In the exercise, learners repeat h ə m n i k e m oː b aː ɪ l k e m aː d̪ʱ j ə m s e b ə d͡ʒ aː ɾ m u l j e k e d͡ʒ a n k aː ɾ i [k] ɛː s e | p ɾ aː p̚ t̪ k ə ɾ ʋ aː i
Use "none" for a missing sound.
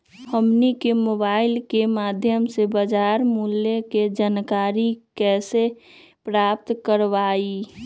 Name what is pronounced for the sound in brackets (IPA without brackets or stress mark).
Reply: k